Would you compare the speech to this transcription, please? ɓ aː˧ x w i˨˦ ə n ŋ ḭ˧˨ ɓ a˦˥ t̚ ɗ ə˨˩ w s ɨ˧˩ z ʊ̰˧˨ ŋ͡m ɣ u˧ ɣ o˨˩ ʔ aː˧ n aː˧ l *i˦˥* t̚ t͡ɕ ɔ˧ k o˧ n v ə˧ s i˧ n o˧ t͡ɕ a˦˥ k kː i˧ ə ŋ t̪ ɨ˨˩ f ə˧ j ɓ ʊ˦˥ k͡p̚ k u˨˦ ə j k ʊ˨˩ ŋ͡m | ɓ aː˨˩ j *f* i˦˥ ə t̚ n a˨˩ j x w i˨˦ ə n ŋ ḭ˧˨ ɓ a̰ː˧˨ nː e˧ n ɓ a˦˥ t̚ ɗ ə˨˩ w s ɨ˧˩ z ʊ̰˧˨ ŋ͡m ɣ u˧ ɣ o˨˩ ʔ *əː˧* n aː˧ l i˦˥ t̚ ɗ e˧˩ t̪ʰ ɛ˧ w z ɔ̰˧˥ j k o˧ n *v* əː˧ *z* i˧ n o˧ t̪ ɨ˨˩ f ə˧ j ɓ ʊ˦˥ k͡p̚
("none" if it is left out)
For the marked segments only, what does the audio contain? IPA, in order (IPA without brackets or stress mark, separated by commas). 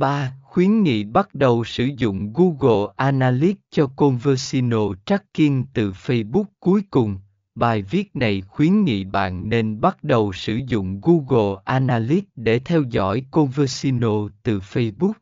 i˦˥, v, aː˧, v, s